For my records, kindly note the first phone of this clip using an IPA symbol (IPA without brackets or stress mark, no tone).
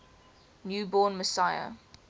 n